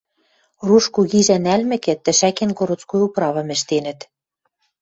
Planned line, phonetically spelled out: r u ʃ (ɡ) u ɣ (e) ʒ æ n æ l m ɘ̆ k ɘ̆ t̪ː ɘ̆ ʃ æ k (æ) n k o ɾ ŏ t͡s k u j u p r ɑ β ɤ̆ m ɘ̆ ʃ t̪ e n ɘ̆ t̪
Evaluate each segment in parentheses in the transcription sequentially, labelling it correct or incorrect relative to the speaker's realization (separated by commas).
incorrect, incorrect, incorrect